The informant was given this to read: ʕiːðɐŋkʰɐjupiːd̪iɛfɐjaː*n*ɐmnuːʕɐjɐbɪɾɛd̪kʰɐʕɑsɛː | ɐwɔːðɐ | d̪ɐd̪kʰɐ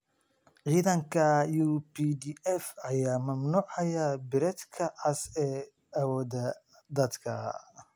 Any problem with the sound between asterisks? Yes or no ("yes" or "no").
yes